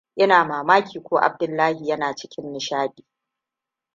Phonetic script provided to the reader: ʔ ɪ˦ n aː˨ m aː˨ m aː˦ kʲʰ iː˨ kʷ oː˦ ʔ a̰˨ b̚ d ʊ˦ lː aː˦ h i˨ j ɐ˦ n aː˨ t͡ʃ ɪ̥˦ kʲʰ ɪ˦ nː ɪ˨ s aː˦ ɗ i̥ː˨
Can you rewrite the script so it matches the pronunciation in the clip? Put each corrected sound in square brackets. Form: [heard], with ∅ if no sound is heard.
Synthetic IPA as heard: ʔ ɪ˦ n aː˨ m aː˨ m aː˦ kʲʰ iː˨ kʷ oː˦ ʔ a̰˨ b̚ d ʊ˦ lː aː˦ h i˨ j ɐ˦ n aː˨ t͡ʃ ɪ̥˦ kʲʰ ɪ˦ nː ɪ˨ [ʃ] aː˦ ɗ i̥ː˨